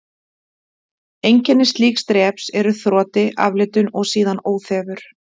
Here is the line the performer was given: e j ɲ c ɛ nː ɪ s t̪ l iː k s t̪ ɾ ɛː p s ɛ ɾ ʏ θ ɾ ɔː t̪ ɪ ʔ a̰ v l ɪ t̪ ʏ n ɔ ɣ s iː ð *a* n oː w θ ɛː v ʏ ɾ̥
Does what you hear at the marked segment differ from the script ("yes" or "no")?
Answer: no